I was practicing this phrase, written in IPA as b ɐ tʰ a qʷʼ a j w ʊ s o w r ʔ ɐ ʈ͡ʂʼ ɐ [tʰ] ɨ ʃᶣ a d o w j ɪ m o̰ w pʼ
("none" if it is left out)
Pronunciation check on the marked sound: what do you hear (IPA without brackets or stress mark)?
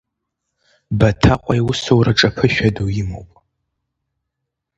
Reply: pʰ